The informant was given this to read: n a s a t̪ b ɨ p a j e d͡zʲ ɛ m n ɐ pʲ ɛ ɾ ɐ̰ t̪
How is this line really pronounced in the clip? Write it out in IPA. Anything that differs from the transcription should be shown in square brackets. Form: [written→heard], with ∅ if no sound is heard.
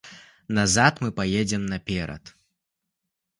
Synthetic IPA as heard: n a [s→z] a t̪ [b→m] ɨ p a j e d͡zʲ ɛ m n ɐ pʲ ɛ ɾ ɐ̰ t̪